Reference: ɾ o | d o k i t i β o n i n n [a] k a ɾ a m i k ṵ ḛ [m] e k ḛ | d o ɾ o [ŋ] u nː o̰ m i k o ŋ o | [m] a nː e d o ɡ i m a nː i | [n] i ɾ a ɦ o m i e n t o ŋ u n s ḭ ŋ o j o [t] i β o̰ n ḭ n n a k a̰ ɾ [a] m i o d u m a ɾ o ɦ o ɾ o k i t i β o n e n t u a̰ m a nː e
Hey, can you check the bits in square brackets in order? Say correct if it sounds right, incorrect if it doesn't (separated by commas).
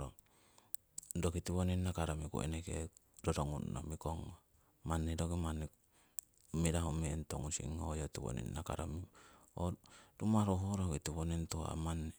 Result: correct, incorrect, correct, correct, incorrect, correct, correct